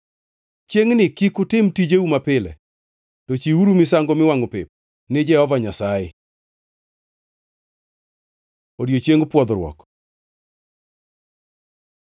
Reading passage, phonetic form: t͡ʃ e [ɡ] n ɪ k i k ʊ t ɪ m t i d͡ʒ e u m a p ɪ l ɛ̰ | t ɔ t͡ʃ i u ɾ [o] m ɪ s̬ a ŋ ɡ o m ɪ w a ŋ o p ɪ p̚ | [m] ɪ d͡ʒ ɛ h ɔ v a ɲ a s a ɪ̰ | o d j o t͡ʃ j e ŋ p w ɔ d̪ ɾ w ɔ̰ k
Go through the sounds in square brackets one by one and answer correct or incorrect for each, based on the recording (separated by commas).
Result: incorrect, incorrect, incorrect